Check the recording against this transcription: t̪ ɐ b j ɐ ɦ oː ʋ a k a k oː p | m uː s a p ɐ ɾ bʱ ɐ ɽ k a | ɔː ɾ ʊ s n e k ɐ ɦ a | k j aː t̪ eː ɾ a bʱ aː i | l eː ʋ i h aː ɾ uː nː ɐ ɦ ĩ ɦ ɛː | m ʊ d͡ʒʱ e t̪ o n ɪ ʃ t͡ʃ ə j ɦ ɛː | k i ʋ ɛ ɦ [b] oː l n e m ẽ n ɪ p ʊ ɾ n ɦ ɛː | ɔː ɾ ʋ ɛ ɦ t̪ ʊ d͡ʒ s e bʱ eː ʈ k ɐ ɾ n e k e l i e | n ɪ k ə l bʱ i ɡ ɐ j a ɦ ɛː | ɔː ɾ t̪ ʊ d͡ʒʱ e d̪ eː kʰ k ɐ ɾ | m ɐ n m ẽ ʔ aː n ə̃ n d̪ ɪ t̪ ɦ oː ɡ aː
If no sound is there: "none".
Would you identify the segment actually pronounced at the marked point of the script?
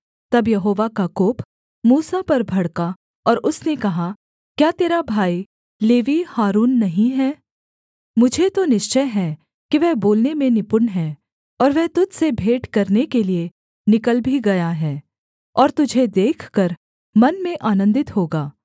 b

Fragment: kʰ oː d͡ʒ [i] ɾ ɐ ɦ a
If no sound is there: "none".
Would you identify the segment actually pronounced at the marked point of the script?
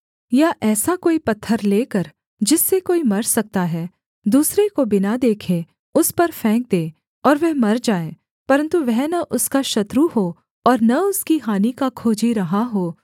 i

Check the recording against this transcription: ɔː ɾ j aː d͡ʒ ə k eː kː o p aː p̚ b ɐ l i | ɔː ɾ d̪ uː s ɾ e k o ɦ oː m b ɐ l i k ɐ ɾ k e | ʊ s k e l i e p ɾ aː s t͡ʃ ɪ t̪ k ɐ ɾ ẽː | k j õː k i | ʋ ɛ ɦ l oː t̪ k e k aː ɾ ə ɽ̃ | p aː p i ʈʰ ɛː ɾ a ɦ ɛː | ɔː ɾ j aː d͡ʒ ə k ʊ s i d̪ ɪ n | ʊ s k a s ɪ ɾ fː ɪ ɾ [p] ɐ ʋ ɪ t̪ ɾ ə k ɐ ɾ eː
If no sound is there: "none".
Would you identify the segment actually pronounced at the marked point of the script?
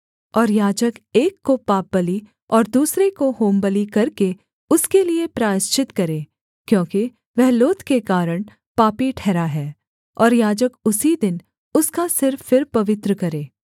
p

